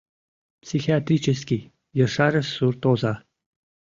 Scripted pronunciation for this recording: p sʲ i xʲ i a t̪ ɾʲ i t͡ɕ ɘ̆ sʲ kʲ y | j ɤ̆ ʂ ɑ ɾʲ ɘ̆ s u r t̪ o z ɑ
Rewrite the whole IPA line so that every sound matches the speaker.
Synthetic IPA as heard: p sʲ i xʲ i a t̪ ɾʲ i t͡ɕ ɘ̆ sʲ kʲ i | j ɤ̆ ʂ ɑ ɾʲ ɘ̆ s u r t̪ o z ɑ